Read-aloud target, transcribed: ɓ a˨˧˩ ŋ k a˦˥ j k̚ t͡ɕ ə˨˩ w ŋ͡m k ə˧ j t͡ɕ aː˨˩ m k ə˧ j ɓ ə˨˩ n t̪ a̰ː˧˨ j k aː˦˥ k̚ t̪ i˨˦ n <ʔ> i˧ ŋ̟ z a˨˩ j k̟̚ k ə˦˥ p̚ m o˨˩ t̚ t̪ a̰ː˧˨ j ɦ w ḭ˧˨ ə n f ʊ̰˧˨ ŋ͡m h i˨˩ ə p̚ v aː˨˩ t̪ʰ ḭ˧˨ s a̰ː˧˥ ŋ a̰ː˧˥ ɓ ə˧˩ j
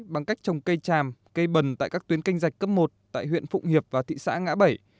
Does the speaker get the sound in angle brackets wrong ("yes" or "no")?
yes